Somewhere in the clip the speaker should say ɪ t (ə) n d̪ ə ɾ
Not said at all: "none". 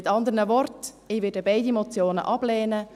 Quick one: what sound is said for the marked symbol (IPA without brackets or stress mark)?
ɑ